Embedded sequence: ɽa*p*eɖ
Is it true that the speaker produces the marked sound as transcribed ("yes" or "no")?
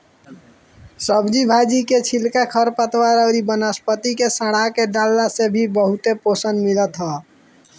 no